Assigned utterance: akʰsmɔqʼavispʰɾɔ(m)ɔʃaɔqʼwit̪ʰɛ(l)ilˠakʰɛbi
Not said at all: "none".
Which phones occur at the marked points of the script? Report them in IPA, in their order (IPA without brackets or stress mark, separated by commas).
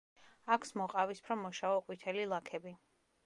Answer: m, l